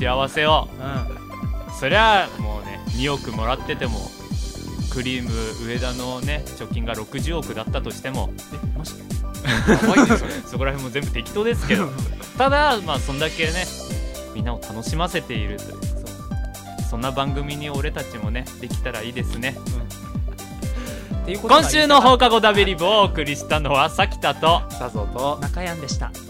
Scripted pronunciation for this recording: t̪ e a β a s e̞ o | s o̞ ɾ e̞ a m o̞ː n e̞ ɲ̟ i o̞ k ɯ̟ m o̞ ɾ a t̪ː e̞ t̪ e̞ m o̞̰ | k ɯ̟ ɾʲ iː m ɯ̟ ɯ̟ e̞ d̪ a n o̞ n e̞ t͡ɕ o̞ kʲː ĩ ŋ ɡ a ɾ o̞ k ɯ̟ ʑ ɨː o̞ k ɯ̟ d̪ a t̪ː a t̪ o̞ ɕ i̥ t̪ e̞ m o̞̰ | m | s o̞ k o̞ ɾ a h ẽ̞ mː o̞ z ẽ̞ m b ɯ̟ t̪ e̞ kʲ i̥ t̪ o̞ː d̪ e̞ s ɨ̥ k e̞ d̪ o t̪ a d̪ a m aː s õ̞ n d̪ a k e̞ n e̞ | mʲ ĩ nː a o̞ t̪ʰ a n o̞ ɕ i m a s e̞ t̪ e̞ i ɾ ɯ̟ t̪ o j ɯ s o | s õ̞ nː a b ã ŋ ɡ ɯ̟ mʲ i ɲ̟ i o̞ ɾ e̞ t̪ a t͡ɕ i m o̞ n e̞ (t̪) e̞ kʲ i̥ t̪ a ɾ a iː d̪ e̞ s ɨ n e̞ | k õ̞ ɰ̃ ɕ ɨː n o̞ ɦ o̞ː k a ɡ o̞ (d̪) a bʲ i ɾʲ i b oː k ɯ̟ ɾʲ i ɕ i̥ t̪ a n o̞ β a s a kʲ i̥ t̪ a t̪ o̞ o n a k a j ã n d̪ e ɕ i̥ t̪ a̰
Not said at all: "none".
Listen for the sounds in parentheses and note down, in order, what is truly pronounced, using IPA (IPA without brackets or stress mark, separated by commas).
d̪, d̪